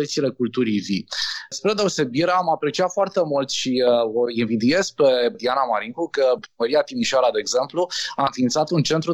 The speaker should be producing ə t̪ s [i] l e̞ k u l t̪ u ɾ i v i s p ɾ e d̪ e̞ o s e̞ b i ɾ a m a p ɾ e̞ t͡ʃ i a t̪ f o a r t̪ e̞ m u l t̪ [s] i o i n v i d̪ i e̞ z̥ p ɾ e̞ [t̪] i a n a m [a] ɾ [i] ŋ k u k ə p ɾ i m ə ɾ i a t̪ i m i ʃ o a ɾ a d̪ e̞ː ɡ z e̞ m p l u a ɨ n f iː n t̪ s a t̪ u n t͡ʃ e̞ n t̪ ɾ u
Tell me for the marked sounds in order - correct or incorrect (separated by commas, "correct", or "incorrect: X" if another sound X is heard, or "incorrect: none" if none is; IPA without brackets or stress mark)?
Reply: correct, incorrect: ʃ, incorrect: d̪, correct, correct